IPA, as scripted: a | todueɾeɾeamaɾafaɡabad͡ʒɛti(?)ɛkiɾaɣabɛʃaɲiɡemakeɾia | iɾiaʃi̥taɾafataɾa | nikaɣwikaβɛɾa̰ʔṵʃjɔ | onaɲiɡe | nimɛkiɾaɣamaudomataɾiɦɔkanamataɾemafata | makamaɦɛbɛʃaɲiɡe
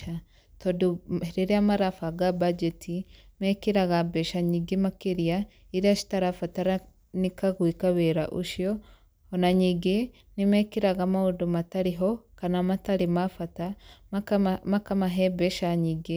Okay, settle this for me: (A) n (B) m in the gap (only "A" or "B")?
B